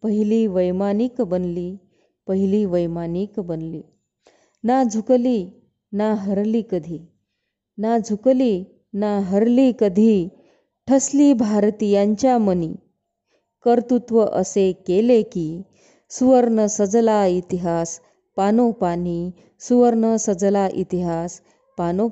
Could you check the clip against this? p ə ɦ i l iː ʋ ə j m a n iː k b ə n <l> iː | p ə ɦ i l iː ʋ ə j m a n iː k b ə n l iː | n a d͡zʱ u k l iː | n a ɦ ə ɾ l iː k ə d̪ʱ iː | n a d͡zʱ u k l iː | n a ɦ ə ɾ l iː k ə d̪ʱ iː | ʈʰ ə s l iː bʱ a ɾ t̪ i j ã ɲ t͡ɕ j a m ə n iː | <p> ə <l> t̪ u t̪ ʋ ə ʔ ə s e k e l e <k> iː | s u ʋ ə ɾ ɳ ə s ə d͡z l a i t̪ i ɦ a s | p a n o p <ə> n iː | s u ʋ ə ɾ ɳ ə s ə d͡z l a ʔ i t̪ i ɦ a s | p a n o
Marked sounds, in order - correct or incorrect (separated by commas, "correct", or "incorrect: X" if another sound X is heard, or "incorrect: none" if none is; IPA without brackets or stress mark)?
correct, incorrect: k, incorrect: ɾ, correct, incorrect: a